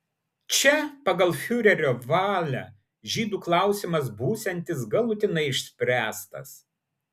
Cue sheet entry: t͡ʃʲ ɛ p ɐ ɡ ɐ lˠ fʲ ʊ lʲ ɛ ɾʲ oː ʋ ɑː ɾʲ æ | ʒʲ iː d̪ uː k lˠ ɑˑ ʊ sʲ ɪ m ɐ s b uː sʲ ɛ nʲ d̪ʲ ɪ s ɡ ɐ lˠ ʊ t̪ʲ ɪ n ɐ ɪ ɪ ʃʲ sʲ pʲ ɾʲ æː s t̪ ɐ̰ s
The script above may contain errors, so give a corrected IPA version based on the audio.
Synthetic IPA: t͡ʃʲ ɛ p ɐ ɡ ɐ lˠ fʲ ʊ ɾʲ ɛ ɾʲ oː ʋ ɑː lʲ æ | ʒʲ iː d̪ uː k lˠ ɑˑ ʊ sʲ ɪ m ɐ s b uː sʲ ɛ nʲ t̪ʲ ɪ s ɡ ɐ lˠ ʊ t̪ʲ ɪ n ɐ ɪ ɪ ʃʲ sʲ pʲ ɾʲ æː s t̪ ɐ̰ s